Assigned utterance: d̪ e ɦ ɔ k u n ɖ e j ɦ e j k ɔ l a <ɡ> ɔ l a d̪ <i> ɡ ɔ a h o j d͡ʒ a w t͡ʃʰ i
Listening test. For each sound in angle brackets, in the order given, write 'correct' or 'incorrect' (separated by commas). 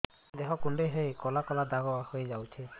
incorrect, incorrect